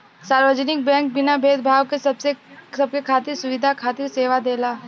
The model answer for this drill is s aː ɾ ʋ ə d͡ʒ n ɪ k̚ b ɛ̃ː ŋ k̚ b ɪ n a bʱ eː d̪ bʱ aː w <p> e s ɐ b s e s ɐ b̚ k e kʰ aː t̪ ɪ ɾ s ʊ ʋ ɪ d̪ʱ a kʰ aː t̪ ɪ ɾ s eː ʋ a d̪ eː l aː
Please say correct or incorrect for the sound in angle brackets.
incorrect